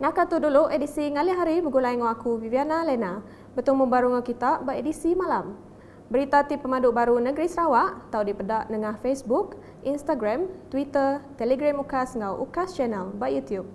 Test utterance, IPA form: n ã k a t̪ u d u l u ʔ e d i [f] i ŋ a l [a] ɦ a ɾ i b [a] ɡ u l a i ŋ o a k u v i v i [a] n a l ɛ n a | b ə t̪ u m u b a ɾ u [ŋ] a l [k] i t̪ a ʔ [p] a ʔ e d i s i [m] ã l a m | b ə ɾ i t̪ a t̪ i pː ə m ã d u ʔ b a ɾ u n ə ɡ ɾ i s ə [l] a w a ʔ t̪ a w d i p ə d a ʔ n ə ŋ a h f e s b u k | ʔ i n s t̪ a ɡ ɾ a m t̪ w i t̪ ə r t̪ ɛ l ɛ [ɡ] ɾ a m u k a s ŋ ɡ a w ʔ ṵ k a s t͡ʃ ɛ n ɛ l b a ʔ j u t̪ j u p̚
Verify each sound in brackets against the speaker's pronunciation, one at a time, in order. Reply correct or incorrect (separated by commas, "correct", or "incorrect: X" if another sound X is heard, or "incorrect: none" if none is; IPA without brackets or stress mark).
incorrect: s, incorrect: i, incorrect: ə, correct, correct, correct, incorrect: b, correct, incorrect: ɾ, correct